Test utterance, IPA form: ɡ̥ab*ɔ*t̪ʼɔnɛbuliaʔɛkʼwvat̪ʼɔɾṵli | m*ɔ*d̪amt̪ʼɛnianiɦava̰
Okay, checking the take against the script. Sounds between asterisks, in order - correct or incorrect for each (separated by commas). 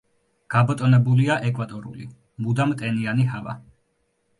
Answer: correct, incorrect